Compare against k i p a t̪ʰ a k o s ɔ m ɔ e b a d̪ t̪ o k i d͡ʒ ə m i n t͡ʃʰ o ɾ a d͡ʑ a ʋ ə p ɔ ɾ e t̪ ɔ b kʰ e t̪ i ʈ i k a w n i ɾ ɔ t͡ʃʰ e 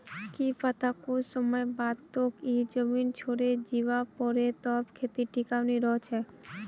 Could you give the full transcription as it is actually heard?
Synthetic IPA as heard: k i p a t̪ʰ a k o s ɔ m ɔ e b a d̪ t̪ o k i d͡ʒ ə m i n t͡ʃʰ o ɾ e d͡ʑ i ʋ a p ɔ ɾ e t̪ ɔ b kʰ e t̪ i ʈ i k a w n i ɾ ɔ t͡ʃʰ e